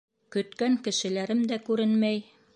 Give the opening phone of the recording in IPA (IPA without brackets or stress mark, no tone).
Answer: k